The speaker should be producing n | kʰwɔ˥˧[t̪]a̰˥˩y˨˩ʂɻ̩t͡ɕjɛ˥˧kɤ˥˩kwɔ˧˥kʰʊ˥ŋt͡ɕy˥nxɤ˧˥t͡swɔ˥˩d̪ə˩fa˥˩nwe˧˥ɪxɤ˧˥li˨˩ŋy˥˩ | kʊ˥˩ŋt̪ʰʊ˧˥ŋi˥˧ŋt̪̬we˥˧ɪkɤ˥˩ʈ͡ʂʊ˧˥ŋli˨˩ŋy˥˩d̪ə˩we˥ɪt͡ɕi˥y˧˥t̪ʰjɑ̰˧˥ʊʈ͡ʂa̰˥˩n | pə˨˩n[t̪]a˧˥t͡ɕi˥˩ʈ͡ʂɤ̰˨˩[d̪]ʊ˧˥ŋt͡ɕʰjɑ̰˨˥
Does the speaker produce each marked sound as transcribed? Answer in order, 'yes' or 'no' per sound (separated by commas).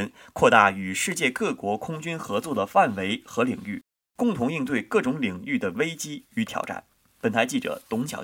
yes, no, no